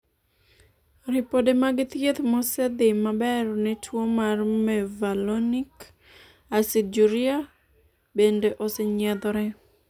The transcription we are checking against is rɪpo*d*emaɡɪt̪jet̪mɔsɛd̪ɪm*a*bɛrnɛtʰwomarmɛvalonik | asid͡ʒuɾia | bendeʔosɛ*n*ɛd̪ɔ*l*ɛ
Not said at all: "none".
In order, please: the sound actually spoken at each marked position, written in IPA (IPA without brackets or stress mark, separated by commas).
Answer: d, a, ɲ, ɾ